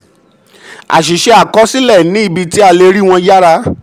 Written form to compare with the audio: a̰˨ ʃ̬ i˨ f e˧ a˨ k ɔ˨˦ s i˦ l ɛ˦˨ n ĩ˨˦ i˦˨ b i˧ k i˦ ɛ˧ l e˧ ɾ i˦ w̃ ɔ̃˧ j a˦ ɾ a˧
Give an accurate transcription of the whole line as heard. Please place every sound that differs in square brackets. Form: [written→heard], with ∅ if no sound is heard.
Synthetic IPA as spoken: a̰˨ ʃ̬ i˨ [f→ʃ] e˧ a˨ k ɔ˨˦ s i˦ l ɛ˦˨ n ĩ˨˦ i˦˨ b i˧ [k→t] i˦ [ɛ˧→a˧] l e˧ ɾ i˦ w̃ ɔ̃˧ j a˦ ɾ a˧